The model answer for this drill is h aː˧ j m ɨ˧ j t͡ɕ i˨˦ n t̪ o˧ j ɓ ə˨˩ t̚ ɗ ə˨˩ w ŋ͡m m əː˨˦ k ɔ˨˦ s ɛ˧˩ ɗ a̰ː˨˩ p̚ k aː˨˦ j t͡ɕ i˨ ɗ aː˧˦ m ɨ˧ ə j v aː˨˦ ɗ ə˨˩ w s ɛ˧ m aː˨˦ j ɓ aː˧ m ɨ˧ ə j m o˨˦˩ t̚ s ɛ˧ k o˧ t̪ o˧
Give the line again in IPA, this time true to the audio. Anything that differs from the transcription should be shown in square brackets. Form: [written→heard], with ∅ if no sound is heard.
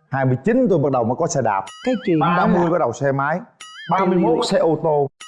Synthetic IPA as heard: h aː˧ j m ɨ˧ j t͡ɕ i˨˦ n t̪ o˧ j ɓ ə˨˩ t̚ ɗ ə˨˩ w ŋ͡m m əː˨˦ k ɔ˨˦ s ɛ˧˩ ɗ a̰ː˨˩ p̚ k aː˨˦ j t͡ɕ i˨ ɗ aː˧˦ m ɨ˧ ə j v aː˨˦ ɗ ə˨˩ w s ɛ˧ m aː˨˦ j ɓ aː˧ m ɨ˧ ə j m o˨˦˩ t̚ s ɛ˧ [k→ʔ] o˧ t̪ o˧